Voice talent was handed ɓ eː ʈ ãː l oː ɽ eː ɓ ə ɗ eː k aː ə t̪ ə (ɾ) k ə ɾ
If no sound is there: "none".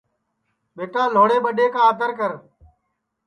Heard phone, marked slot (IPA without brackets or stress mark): ɾ